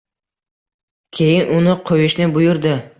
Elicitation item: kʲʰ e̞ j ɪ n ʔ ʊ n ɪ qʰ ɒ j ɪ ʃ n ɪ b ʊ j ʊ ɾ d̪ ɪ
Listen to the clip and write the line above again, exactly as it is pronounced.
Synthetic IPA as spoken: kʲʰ e̞ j ɪ n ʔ ʊ n ɪ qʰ o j ɪ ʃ n ɪ b ʊ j ʊ ɾ d̪ ɪ